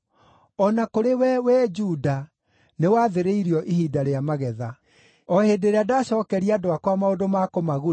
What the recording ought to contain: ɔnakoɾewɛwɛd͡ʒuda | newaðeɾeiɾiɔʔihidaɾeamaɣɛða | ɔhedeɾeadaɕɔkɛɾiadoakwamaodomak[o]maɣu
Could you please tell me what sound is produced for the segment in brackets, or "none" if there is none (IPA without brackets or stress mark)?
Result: o